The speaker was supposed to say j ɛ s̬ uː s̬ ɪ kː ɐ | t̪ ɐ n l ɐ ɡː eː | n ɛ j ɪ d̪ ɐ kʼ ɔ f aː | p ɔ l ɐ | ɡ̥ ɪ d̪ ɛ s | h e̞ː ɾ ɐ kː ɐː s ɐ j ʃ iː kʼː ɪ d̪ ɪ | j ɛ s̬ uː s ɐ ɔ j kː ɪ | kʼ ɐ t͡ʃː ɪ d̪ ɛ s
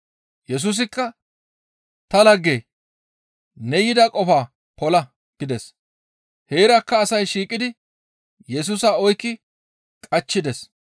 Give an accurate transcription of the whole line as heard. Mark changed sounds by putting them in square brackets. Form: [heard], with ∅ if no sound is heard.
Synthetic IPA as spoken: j ɛ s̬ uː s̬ ɪ kː ɐ | t̪ ɐ [∅] l ɐ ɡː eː | n ɛ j ɪ d̪ ɐ kʼ ɔ f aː | p ɔ l ɐ | ɡ̥ ɪ d̪ ɛ s | h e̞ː ɾ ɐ kː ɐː s ɐ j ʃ iː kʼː ɪ d̪ ɪ | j ɛ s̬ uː s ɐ ɔ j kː ɪ | kʼ ɐ t͡ʃː ɪ d̪ ɛ s

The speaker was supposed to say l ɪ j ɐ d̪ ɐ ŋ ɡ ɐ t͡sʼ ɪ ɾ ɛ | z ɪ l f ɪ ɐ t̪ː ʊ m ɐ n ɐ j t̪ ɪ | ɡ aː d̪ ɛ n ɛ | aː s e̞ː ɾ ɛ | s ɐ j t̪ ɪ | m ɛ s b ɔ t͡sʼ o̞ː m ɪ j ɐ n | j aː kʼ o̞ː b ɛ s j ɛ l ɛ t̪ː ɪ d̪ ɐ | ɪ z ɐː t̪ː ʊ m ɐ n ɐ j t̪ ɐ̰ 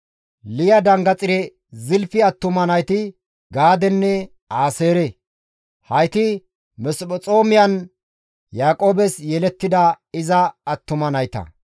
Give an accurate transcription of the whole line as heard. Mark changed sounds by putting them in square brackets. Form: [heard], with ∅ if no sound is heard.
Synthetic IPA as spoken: l ɪ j ɐ d̪ ɐ ŋ ɡ ɐ t͡sʼ ɪ ɾ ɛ | z ɪ l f ɪ ɐ t̪ː ʊ m ɐ n ɐ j t̪ ɪ | ɡ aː d̪ ɛ [nː] ɛ | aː s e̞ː ɾ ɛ | [h] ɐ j t̪ ɪ | m ɛ s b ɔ t͡sʼ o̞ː m ɪ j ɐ n | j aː kʼ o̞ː b ɛ s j ɛ l ɛ t̪ː ɪ d̪ ɐ | ɪ z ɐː t̪ː ʊ m ɐ n ɐ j t̪ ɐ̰

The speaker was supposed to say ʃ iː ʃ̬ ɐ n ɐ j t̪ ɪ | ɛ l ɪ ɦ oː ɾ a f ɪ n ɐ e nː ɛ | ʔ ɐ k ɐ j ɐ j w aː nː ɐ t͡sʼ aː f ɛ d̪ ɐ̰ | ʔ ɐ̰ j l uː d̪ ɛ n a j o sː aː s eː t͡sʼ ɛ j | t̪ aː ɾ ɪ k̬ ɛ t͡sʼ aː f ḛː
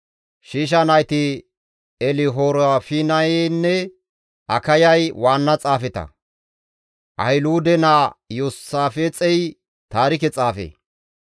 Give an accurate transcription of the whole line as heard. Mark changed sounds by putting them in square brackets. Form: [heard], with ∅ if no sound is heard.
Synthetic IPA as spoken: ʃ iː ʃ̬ ɐ n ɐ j t̪ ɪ | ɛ l ɪ ɦ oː ɾ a f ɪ n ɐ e nː ɛ | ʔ ɐ k ɐ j ɐ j w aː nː ɐ t͡sʼ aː f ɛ [t̪] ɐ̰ | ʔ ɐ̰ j l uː d̪ ɛ n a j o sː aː [f] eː t͡sʼ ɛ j | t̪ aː ɾ ɪ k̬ ɛ t͡sʼ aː f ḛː

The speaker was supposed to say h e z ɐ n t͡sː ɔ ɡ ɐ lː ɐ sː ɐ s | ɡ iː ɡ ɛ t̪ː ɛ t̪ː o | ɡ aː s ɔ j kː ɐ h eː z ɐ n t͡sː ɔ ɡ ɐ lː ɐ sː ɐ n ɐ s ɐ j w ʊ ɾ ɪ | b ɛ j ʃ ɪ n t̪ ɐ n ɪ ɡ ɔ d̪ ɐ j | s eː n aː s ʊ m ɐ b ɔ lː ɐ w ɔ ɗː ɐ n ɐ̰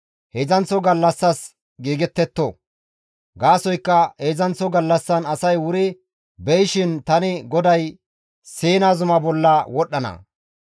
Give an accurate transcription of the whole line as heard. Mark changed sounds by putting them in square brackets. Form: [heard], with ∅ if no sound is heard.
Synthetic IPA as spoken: h e z ɐ n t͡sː ɔ ɡ ɐ lː ɐ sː ɐ s | ɡ iː ɡ ɛ t̪ː ɛ t̪ː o | ɡ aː s ɔ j kː ɐ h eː z ɐ n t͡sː ɔ ɡ ɐ lː ɐ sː ɐ n ɐ s ɐ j w ʊ ɾ ɪ | b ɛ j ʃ ɪ n t̪ ɐ n ɪ ɡ ɔ d̪ ɐ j | s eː n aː [z] ʊ m ɐ b ɔ lː ɐ w ɔ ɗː ɐ n ɐ̰

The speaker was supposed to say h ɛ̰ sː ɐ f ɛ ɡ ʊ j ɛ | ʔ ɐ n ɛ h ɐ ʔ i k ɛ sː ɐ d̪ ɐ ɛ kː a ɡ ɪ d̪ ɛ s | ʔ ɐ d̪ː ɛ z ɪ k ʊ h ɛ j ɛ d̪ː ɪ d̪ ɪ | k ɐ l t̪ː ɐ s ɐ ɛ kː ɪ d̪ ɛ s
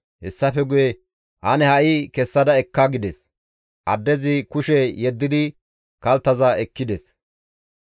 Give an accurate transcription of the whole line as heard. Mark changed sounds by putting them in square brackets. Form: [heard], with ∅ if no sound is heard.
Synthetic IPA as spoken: h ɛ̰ sː ɐ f ɛ ɡ ʊ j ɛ | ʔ ɐ n ɛ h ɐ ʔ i k ɛ sː ɐ d̪ ɐ ɛ kː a ɡ ɪ d̪ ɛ s | ʔ ɐ d̪ː ɛ z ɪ k ʊ [ʃ] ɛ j ɛ d̪ː ɪ d̪ ɪ | k ɐ l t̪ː ɐ [z] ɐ ɛ kː ɪ d̪ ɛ s

